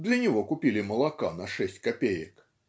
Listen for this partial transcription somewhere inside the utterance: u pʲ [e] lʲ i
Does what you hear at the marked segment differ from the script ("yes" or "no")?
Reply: yes